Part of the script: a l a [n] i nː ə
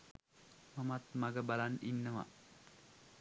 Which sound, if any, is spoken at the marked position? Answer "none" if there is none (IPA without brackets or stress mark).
n